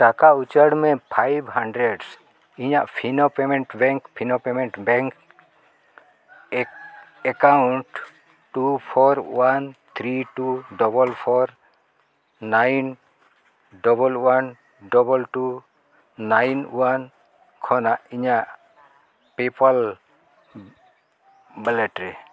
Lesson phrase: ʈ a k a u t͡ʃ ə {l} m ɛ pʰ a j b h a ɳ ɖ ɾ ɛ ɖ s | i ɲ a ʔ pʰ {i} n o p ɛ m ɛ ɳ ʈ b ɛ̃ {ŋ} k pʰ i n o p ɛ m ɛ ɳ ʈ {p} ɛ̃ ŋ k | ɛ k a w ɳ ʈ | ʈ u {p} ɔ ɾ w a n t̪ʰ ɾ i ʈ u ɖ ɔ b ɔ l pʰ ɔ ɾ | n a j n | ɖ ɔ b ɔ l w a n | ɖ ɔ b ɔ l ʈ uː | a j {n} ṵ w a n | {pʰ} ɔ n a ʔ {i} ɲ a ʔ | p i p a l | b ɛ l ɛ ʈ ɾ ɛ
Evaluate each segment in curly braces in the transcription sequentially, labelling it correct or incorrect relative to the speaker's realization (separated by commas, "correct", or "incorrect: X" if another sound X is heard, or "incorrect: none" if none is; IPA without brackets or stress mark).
incorrect: ɽ, correct, correct, incorrect: b, incorrect: pʰ, correct, incorrect: kʰ, correct